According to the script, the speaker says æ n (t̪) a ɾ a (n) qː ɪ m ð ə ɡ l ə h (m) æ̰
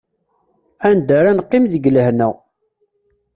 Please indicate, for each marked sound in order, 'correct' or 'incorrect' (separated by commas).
incorrect, correct, incorrect